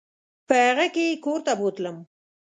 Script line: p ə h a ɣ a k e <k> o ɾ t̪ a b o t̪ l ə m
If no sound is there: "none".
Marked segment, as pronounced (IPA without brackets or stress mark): k